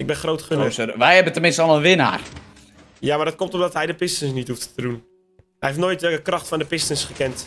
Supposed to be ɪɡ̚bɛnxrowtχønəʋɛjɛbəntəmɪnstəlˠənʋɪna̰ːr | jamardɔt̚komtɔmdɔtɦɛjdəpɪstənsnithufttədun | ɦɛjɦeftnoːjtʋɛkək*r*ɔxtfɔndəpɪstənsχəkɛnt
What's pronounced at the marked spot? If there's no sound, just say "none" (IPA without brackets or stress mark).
r